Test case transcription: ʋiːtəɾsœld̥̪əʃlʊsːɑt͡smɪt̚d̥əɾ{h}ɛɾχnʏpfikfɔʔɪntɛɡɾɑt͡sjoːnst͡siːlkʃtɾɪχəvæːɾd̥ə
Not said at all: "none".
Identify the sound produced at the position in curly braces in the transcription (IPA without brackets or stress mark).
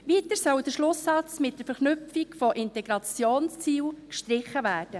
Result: f